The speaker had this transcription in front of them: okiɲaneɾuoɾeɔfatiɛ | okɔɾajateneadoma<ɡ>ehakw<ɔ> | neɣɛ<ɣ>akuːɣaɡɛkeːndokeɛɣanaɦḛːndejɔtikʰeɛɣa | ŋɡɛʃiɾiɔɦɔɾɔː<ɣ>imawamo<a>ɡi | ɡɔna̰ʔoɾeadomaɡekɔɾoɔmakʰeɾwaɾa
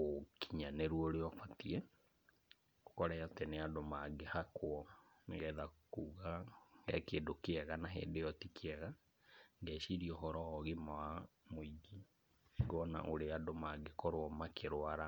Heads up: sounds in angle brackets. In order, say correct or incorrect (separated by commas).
correct, correct, incorrect, correct, incorrect